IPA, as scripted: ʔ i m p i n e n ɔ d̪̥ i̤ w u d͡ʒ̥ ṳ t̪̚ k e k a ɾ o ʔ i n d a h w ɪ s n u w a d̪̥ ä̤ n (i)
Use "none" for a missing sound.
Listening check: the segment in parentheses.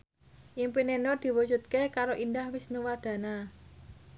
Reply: a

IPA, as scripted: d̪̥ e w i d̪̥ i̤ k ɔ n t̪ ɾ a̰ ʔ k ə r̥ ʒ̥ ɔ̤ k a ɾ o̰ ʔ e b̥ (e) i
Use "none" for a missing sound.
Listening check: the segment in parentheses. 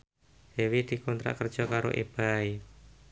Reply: a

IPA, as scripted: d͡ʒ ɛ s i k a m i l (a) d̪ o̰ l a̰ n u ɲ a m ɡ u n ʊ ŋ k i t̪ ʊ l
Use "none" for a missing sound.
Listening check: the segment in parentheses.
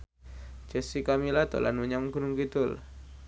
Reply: a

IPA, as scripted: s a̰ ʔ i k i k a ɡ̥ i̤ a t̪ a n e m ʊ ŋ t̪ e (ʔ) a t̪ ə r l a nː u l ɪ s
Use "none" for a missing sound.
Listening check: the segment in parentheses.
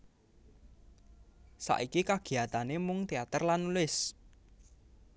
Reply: none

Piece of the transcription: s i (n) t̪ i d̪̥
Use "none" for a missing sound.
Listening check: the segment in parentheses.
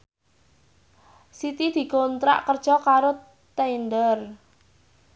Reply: none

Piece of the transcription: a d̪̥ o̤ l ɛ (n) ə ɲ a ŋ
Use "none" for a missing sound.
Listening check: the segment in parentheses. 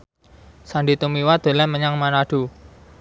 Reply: m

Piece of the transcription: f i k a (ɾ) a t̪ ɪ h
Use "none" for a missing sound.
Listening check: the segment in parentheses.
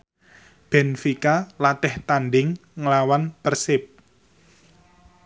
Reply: l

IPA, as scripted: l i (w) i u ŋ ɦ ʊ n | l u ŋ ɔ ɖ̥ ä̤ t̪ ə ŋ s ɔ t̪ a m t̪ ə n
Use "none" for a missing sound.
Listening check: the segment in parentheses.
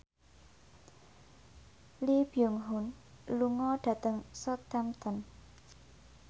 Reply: b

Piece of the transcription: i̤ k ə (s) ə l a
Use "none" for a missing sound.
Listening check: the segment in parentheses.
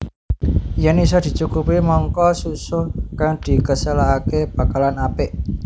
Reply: s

